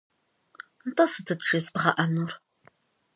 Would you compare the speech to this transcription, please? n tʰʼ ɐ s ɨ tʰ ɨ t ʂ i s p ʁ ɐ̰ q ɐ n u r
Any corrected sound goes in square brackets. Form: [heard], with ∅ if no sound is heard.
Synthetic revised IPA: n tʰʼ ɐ s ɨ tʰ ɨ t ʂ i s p ʁ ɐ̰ [ʔ] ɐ n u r